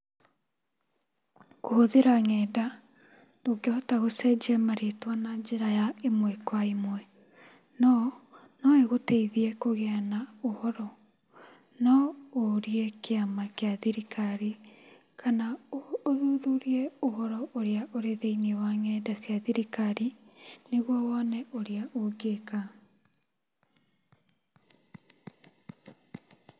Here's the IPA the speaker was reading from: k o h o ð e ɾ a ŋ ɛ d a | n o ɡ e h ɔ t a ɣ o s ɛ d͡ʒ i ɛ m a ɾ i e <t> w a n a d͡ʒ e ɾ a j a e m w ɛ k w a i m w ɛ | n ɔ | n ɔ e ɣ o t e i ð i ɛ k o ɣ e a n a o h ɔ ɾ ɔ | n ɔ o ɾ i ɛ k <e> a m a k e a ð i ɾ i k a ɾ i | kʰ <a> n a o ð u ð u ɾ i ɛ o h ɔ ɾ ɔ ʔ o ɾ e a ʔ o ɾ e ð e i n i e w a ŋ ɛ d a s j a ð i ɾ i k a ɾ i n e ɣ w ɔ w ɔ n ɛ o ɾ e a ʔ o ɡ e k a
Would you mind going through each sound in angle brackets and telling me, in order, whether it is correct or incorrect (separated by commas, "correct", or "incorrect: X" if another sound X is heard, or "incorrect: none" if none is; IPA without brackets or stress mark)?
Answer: correct, correct, correct